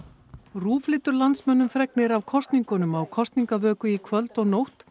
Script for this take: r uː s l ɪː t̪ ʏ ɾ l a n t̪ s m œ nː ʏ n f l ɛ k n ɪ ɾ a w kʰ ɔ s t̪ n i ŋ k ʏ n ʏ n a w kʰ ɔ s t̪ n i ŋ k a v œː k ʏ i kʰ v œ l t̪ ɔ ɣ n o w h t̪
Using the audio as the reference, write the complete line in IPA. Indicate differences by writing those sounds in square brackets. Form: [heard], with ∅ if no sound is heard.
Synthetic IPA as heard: r uː [f] l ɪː t̪ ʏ ɾ l a n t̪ s m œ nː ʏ [m] f [ɾ] ɛ k n ɪ ɾ a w kʰ ɔ s t̪ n i ŋ k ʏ n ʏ [m] a w kʰ ɔ s t̪ n i ŋ k a v œː k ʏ i kʰ v œ l t̪ ɔ ɣ n o w h t̪